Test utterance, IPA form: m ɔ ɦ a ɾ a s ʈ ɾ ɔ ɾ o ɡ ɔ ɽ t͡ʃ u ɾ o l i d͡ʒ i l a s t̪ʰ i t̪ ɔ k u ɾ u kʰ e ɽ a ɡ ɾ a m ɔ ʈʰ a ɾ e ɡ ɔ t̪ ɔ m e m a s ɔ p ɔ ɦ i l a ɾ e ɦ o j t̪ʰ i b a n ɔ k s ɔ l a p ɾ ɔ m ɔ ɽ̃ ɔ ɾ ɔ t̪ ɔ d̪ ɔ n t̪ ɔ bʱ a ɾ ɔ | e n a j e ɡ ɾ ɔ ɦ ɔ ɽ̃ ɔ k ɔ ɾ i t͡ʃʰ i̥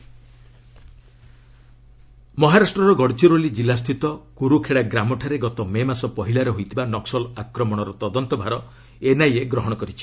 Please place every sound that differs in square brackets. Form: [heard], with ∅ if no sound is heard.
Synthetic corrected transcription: m ɔ ɦ a ɾ a s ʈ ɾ ɔ ɾ [ɔ] ɡ ɔ ɽ t͡ʃ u ɾ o l i d͡ʒ i l a s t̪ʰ i t̪ ɔ k u ɾ u kʰ e ɽ a ɡ ɾ a m ɔ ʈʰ a ɾ e ɡ ɔ t̪ ɔ m e m a s ɔ p ɔ ɦ i l a ɾ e ɦ o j t̪ʰ i b a n ɔ k s ɔ l a [k] ɾ ɔ m ɔ ɽ̃ ɔ ɾ ɔ t̪ ɔ d̪ ɔ n t̪ ɔ bʱ a ɾ ɔ | e n a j e ɡ ɾ ɔ ɦ ɔ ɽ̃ ɔ k ɔ ɾ i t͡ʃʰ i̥